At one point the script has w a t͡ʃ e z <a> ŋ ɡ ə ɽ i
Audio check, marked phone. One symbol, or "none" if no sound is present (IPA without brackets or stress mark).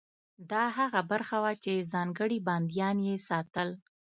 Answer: ɑ